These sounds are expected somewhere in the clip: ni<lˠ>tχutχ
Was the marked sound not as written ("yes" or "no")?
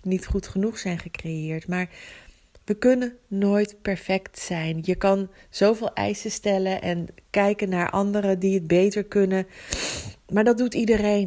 yes